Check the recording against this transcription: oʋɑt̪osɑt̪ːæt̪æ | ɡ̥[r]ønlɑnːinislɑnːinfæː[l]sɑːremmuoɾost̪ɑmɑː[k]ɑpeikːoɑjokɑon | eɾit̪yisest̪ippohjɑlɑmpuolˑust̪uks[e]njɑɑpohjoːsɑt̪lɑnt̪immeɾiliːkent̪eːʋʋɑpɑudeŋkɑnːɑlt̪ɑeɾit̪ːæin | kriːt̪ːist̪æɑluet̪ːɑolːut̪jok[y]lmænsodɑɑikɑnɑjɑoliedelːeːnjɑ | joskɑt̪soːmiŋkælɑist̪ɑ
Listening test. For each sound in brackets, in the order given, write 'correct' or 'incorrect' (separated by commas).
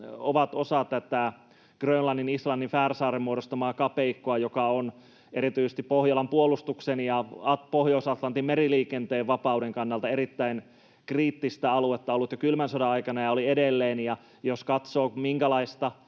correct, incorrect, correct, correct, correct